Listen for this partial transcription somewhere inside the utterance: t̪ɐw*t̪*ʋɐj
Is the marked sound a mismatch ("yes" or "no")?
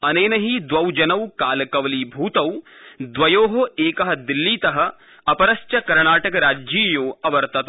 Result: yes